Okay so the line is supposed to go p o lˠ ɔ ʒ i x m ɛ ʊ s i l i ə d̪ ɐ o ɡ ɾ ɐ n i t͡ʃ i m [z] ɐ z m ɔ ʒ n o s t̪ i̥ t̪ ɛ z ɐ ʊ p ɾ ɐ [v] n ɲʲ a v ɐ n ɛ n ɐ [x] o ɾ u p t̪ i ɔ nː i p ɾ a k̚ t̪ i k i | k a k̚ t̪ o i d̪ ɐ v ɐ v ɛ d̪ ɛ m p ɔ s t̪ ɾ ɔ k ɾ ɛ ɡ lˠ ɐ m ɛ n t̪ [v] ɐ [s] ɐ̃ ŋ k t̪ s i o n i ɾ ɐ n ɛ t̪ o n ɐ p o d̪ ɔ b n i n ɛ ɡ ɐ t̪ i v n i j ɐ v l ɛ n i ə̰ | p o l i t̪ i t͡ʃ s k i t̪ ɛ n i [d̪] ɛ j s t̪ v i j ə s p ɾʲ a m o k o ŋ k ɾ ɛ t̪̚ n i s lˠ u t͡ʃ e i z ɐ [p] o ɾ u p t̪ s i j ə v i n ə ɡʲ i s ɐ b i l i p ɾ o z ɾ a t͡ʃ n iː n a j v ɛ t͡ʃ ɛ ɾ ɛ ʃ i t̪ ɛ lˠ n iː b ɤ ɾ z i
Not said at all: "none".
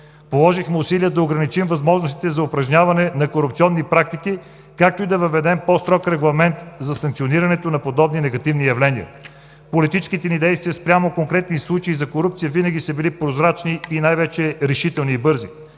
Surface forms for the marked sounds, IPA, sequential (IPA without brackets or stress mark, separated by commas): v, ʒ, k, z, s, d̪, k